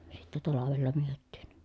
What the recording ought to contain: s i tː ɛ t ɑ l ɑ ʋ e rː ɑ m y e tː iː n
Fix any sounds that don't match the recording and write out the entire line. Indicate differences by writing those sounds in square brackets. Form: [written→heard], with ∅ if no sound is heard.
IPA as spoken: s i tː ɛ t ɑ l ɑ ʋ e [rː→lː] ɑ m y [e→ø] tː iː n